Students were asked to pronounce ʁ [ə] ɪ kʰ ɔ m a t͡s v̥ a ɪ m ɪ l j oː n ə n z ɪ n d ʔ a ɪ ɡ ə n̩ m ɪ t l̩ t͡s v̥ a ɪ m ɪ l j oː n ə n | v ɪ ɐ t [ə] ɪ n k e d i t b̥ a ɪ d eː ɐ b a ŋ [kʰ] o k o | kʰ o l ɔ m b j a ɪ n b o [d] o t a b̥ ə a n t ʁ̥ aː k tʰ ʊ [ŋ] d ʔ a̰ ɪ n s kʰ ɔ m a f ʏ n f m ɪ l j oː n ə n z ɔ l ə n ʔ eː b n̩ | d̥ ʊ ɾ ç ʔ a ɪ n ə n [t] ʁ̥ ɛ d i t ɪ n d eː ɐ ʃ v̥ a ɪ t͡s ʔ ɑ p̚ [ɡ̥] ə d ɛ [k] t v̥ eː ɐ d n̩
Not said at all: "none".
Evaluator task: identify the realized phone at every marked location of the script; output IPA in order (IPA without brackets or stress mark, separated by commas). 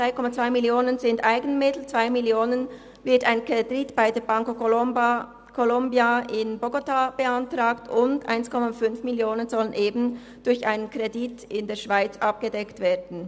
a, a, k, ɡ, n, k, ɡ̥, k